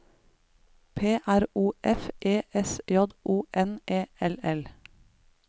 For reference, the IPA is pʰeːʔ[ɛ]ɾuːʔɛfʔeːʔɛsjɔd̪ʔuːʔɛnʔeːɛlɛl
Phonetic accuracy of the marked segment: incorrect: æ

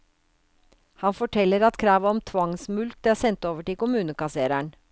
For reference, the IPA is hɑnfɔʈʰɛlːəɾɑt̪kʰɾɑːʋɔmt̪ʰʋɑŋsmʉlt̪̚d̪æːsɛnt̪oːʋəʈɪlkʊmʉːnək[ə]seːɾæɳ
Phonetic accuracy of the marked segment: incorrect: ɑ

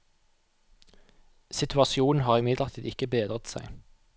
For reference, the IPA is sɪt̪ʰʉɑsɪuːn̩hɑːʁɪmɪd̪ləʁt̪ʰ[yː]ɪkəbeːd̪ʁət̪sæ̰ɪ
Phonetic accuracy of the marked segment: incorrect: iː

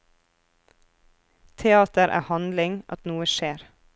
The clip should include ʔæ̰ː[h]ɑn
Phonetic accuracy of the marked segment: correct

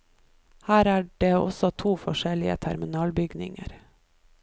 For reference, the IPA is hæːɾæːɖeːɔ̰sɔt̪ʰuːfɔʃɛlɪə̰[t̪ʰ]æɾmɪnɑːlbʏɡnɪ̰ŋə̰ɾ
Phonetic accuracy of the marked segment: correct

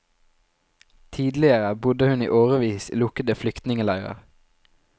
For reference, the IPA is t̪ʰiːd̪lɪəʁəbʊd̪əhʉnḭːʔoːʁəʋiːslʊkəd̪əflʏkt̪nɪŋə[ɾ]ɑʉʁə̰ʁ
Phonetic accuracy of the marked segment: incorrect: l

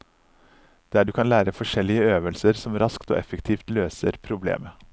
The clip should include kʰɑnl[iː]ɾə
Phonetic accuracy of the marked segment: incorrect: æː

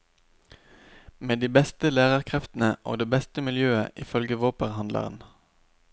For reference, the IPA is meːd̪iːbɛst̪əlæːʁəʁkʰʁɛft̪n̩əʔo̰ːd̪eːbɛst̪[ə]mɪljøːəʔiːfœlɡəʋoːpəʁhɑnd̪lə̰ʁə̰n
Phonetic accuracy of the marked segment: correct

